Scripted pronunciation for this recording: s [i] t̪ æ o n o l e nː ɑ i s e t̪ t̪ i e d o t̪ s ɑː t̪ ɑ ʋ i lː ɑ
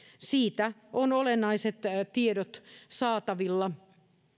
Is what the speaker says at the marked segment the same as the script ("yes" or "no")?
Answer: no